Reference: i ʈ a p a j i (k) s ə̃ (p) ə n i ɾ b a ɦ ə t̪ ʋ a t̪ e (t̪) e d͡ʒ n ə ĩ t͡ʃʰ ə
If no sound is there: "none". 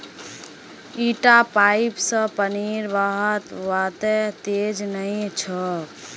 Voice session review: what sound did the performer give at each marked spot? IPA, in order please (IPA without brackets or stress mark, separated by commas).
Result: p, p, t̪